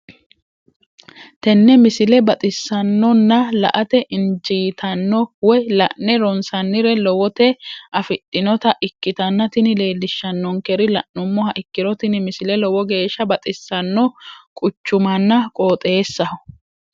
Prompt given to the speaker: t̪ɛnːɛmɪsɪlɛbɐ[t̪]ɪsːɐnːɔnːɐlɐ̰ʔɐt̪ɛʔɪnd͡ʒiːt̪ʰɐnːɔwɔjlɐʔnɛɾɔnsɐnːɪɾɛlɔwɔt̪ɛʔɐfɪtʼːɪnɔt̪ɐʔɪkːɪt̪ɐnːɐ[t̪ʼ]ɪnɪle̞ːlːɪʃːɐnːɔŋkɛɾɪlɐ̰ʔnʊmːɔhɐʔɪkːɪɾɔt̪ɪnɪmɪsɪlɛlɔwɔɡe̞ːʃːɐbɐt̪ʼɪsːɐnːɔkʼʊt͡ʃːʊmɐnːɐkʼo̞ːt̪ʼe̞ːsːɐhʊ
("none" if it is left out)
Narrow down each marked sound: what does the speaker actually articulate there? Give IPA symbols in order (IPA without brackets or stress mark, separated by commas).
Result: t̪ʼ, t̪